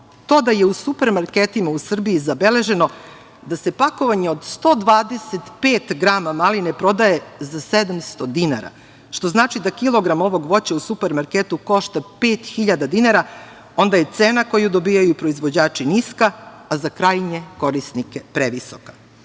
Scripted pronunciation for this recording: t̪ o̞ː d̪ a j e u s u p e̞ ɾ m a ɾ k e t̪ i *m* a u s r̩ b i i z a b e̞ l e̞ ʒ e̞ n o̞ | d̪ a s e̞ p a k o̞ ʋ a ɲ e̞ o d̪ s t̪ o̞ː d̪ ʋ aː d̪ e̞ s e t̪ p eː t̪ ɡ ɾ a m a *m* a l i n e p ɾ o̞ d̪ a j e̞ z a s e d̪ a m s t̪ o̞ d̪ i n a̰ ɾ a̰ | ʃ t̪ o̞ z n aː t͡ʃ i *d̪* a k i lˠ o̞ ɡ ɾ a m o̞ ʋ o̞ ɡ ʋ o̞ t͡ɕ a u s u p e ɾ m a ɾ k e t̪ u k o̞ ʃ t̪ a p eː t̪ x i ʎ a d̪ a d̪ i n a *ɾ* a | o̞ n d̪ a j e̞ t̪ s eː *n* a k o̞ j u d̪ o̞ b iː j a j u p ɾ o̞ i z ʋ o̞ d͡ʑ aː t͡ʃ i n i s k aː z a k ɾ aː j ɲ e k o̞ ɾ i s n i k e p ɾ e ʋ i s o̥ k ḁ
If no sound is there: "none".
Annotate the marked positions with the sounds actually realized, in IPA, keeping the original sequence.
m, m, d̪, ɾ, n

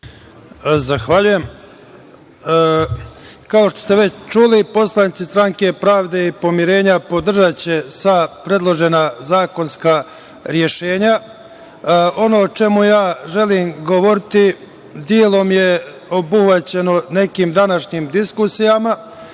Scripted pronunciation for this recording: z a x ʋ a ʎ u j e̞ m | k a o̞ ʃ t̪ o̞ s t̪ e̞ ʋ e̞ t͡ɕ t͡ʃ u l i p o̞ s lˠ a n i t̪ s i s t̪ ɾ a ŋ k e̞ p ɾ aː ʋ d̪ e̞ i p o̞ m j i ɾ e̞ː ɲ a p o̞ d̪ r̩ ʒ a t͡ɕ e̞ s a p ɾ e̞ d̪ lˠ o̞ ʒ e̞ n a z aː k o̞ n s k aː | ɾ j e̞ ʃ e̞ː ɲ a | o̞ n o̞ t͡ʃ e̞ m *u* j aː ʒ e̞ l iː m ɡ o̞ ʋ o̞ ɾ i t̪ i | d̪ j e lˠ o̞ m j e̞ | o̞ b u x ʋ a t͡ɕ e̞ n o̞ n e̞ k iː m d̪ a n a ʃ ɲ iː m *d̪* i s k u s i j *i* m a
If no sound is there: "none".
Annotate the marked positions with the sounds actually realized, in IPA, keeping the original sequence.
u, d̪, a

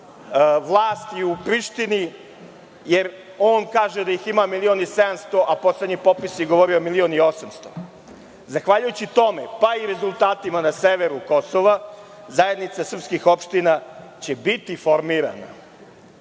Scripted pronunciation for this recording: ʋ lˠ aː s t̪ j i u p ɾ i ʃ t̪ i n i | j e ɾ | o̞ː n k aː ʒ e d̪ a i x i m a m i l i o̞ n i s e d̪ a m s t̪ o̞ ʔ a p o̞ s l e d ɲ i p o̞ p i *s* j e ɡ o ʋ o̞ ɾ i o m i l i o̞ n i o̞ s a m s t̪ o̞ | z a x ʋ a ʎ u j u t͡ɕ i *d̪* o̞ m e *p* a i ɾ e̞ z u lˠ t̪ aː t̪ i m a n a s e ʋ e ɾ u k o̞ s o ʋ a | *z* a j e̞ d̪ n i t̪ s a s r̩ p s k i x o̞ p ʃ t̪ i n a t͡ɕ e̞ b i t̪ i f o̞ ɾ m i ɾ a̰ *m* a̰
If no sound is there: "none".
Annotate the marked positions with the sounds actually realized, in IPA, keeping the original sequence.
s, t̪, p, z, n

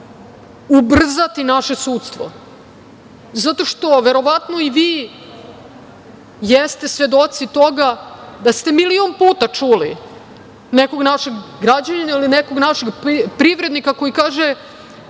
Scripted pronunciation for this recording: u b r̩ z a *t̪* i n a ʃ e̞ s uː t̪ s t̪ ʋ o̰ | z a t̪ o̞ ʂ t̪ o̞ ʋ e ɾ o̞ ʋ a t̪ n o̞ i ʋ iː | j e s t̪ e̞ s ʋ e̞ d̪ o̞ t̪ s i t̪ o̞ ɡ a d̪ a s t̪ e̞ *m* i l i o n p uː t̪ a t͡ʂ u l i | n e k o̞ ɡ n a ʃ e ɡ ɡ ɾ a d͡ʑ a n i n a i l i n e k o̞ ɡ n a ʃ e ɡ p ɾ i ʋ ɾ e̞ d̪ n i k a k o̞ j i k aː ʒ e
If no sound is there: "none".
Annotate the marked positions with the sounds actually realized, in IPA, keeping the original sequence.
t̪, m

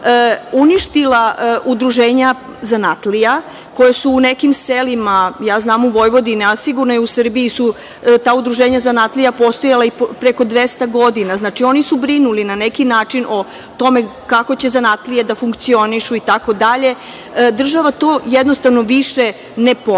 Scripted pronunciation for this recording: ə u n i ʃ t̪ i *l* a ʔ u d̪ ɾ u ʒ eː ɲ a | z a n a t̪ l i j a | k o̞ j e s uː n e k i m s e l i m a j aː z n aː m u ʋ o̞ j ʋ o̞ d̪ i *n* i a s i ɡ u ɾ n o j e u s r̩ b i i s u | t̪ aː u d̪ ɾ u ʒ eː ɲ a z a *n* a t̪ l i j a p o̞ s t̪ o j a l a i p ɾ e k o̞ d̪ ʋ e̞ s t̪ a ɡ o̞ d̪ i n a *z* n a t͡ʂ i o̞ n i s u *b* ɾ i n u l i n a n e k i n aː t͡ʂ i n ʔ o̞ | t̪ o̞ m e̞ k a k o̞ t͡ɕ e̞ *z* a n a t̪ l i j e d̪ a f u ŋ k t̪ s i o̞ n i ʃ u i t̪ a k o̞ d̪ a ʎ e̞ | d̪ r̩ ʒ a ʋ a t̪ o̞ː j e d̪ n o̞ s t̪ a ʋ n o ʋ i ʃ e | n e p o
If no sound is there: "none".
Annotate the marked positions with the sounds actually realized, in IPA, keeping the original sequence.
l, n, n, z, b, z

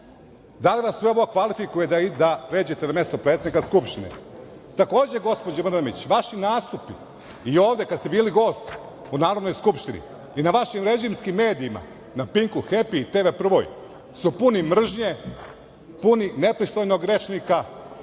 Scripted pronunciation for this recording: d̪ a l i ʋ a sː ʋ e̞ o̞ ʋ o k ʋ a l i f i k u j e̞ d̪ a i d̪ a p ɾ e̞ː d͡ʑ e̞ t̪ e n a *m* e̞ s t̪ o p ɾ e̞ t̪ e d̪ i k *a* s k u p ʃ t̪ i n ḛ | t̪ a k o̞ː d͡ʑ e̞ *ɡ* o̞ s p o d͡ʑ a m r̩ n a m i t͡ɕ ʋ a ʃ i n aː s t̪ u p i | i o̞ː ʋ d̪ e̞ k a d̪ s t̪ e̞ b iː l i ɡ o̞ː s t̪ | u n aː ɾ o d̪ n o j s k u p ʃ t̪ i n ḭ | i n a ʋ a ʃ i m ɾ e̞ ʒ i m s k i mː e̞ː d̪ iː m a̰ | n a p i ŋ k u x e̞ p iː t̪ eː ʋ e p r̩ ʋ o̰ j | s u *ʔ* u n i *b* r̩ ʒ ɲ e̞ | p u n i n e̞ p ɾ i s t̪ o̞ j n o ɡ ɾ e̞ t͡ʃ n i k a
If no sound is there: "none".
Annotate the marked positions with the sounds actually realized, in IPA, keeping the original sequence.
m, a, ɡ, p, m

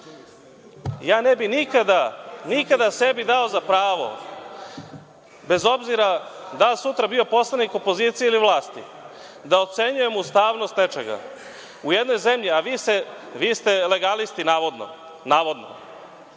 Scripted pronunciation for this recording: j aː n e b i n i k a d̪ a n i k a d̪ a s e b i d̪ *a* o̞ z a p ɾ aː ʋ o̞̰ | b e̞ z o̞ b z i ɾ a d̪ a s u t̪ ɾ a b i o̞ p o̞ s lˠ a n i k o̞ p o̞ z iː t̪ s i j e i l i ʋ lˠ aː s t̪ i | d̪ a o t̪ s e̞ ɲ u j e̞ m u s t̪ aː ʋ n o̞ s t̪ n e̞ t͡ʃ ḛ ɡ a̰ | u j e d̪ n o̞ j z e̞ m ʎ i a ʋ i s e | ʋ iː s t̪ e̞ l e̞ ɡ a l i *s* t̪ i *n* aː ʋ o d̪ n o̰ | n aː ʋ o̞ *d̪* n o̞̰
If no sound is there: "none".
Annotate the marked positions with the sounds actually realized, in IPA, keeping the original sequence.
a, s, n, d̪

